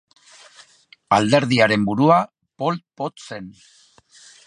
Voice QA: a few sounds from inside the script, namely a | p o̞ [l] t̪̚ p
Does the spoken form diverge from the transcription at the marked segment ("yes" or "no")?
no